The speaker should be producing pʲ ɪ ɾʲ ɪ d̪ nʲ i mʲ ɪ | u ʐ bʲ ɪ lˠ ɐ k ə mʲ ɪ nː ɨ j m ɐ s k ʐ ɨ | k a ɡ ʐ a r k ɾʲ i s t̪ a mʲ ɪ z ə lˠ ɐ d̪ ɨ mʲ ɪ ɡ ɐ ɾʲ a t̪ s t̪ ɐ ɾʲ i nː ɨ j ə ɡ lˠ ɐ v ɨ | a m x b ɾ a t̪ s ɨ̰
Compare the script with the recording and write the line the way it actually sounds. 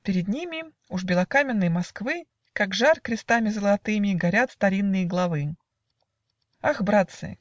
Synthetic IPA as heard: pʲ ɪ ɾʲ ɪ d̪ nʲ i mʲ ɪ | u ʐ bʲ ɪ lˠ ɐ k a mʲ ɪ nː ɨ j m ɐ s k v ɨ | k a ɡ ʐ a r k ɾʲ ɪ s t̪ a mʲ ɪ z ə lˠ ɐ t̪ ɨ mʲ ɪ ɡ ɐ ɾʲ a t̪ s t̪ ɐ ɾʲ i nː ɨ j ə ɡ lˠ ɐ v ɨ | a x b ɾ a t̪ s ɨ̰